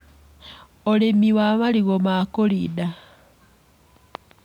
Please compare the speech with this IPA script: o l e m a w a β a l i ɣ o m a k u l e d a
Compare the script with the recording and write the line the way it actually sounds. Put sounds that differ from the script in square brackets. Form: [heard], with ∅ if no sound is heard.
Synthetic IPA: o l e m [i] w a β a l i ɣ o m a k [o] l [i] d a